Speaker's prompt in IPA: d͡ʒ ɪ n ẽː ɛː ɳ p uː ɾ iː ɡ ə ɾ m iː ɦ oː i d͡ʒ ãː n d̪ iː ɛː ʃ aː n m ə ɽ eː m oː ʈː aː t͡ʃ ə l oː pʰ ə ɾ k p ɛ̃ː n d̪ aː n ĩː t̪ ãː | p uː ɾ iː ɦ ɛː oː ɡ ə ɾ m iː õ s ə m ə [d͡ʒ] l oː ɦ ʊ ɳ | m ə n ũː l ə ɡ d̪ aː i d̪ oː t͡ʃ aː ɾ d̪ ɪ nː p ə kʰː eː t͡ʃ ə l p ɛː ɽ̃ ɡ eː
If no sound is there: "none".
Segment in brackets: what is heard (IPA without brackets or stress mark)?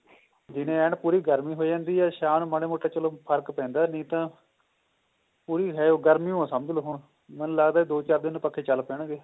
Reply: d͡ʒ